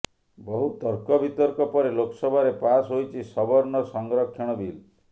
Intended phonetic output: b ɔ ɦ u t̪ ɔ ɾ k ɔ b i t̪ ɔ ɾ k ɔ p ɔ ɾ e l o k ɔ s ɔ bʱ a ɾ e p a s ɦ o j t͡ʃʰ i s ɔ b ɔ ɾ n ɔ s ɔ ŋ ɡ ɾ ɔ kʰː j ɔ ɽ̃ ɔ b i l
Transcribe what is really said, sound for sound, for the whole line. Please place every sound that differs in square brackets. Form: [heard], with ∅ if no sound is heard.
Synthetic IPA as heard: b ɔ ɦ u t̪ ɔ ɾ k ɔ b i t̪ ɔ ɾ k ɔ p ɔ ɾ e l o k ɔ s ɔ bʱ a ɾ e p a s ɦ o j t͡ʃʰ i s ɔ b ɔ ɾ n ɔ s ɔ ŋ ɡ ɾ ɔ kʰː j ɔ ɽ̃ ɔ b i l